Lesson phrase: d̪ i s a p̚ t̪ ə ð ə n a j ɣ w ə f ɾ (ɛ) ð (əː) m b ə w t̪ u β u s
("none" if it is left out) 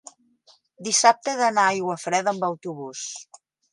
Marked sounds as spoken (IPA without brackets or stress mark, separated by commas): ɛ, ə